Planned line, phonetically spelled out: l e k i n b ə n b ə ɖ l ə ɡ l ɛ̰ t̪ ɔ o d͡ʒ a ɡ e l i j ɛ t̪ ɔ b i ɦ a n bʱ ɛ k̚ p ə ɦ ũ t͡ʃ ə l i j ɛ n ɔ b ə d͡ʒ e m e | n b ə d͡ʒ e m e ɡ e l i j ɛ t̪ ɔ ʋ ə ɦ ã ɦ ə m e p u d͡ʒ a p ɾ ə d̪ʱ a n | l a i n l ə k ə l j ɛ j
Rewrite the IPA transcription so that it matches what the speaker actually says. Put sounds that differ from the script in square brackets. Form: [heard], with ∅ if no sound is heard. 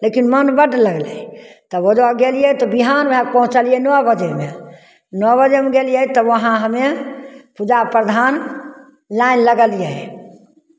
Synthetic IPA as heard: l e k i n [m] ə n b ə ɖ l ə ɡ l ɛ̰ t̪ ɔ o d͡ʒ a ɡ e l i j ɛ t̪ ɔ b i ɦ a n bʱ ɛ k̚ p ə ɦ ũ t͡ʃ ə l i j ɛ n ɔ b ə d͡ʒ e m e | n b ə d͡ʒ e m e ɡ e l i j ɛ t̪ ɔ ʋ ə ɦ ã ɦ ə m e p u d͡ʒ a p ɾ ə d̪ʱ a n | l a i n l ə [ɡ] ə l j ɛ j

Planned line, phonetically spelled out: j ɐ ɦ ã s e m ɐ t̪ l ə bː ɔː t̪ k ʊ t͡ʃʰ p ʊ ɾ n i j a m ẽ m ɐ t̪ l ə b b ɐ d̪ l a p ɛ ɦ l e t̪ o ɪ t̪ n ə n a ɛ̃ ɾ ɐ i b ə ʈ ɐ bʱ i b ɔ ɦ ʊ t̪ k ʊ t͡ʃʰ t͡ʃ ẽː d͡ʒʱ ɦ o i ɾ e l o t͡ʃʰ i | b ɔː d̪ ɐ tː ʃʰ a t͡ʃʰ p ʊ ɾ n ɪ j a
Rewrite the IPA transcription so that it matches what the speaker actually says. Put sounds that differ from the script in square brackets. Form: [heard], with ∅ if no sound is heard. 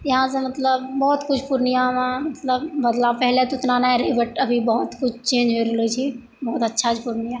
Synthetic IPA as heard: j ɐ ɦ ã s e m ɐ t̪ l ə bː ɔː t̪ k ʊ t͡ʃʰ p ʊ ɾ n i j a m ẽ m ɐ t̪ l ə b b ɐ d̪ l a p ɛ ɦ l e t̪ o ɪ t̪ n [a] n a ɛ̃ ɾ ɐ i b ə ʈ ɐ bʱ i b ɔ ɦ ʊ t̪ k ʊ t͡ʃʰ t͡ʃ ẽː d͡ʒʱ ɦ o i ɾ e l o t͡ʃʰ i | b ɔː [t̪] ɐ tː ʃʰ a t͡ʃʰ p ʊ ɾ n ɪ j a

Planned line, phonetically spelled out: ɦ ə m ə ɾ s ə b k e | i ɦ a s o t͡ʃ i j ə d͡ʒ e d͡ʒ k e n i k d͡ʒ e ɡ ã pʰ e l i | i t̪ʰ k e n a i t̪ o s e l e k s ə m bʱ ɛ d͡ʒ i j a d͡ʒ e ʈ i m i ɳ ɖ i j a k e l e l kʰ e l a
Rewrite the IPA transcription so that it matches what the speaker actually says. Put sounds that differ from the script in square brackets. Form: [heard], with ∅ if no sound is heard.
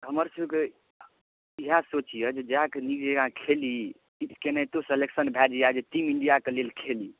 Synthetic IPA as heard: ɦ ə m ə ɾ s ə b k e | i ɦ a s o t͡ʃ i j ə d͡ʒ e d͡ʒ k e n i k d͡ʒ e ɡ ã [kʰ] e l i | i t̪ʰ k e n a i t̪ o s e l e k s ə [n] bʱ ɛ d͡ʒ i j a d͡ʒ e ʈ i m i ɳ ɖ i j a k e l e l kʰ e l [i]

